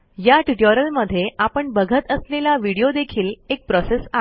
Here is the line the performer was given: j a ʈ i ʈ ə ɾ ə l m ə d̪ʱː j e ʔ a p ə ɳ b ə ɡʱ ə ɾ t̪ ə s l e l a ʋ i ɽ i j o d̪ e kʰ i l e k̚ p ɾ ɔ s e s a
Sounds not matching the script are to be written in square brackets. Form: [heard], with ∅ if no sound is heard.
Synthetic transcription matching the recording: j a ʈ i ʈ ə ɾ ə l m ə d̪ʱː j e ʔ a p ə ɳ b ə ɡʱ ə [∅] t̪ ə s l e l a ʋ i ɽ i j o d̪ e kʰ [iː] l e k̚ p ɾ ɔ s e s a

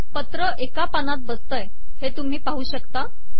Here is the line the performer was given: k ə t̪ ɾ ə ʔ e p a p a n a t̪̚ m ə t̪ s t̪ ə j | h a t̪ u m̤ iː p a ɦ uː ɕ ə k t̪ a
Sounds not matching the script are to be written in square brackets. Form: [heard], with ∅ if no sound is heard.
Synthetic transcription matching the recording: [p] ə t̪ ɾ ə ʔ e [k] a p a n a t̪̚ [b] ə [∅] s t̪ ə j | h [e] t̪ u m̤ iː p a ɦ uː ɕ ə k t̪ a

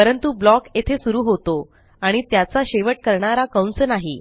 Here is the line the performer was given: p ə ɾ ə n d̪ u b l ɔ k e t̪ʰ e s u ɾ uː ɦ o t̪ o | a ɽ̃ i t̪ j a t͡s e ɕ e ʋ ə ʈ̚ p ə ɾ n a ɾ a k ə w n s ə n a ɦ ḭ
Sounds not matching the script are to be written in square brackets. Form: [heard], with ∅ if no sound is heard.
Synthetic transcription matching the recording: p ə ɾ ə n [t̪] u b l ɔ k e t̪ʰ e s u ɾ uː ɦ o t̪ o | a ɽ̃ i t̪ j a t͡s [a] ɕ e ʋ ə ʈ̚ [k] ə ɾ [ɳ] a ɾ a k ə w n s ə n a ɦ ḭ

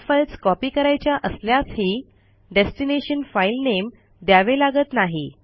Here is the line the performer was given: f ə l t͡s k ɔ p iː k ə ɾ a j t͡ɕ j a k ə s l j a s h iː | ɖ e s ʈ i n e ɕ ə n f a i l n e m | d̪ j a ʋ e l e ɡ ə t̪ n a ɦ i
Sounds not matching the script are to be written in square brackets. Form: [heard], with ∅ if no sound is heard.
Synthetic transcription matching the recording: f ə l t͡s k ɔ p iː k ə ɾ a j t͡ɕ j a [ʔ] ə s l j a s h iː | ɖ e s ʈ i n e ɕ ə n f a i l n e m | d̪ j a ʋ e l [a] ɡ ə t̪ n a ɦ i

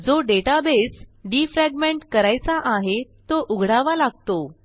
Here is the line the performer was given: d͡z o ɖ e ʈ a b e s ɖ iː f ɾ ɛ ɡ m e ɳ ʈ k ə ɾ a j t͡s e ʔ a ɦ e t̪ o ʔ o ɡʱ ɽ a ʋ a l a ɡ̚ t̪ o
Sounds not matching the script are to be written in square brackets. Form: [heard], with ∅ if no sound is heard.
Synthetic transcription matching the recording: d͡z o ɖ e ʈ a b e s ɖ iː f ɾ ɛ ɡ m e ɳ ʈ k ə ɾ a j t͡s [a] ʔ a ɦ e t̪ o ʔ [u] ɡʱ ɽ a ʋ a l a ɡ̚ t̪ o

